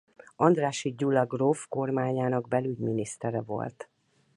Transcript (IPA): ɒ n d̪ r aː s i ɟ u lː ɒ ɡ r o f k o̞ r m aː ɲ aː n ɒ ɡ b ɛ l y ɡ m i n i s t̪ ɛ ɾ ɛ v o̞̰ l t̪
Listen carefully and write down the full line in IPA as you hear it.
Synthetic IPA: ɒ n d̪ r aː ʃ i ɟ u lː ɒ ɡ r o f k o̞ r m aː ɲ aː n ɒ ɡ b ɛ l y ɟ m i n i s t̪ ɛ ɾ ɛ v o̞̰ l t̪